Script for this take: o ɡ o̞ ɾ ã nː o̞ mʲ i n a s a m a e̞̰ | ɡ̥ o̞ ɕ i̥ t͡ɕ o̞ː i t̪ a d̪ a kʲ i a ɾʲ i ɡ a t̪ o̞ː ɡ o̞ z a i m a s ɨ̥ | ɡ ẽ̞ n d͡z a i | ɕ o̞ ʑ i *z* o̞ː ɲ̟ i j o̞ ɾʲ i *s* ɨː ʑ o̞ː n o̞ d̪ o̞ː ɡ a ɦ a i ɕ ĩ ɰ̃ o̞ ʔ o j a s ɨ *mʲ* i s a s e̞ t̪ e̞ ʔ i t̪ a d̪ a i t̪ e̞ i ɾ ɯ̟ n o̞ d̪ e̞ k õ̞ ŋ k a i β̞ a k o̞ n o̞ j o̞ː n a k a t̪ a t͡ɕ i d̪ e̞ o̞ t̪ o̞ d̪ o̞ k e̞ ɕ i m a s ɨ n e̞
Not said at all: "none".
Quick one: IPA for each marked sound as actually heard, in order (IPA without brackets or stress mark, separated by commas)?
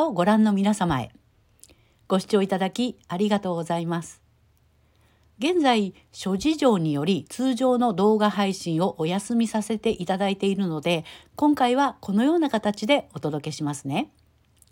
ʑ, t͡s, mʲ